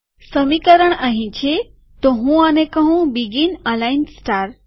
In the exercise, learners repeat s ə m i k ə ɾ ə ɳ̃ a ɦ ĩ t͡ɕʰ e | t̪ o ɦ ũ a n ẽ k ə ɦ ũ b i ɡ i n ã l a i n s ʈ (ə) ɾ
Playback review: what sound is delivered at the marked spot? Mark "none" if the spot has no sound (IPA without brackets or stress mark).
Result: a